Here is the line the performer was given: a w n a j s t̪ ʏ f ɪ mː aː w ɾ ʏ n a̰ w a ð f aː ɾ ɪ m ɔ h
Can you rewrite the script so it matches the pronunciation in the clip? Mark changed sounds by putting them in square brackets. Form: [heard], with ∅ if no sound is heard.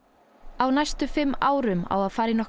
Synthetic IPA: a w n a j s t̪ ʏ f ɪ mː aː w ɾ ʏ [m] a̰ w a ð f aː ɾ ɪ [n] ɔ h